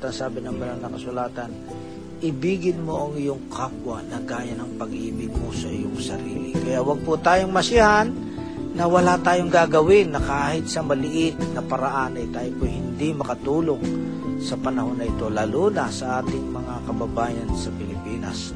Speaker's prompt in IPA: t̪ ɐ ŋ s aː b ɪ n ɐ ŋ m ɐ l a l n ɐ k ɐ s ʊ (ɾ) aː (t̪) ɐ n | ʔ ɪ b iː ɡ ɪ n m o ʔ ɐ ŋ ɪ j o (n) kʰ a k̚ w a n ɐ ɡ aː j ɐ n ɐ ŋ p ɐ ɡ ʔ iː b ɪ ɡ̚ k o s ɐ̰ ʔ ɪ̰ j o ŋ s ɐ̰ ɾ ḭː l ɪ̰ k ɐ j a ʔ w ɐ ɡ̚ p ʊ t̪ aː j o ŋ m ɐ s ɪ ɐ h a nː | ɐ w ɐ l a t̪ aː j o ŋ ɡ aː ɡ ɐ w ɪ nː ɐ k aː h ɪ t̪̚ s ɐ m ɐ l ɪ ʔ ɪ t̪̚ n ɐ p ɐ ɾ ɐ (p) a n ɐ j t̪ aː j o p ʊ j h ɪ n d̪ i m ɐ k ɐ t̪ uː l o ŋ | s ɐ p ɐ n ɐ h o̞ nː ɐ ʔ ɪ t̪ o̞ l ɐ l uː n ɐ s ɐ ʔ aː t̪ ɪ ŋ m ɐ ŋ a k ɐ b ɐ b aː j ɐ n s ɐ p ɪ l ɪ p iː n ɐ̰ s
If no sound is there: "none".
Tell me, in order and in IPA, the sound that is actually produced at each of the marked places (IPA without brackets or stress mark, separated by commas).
l, t̪, ŋ, ʔ